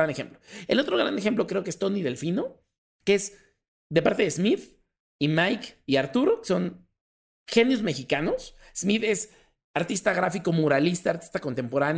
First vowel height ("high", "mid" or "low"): low